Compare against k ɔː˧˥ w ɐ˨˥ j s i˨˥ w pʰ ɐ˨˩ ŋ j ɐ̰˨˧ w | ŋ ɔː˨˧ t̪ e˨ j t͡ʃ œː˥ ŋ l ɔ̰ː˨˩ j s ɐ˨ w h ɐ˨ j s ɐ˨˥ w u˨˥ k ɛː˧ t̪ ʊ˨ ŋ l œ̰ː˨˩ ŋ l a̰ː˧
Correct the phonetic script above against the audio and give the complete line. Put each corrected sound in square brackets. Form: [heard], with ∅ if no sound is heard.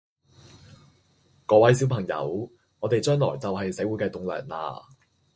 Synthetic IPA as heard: k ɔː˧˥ w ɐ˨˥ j s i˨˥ w pʰ ɐ˨˩ ŋ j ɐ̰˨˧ w | ŋ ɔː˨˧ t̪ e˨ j t͡ʃ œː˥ ŋ l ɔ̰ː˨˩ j [t͡s] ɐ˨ w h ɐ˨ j s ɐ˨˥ w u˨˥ k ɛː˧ t̪ ʊ˨ ŋ l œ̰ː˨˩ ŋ l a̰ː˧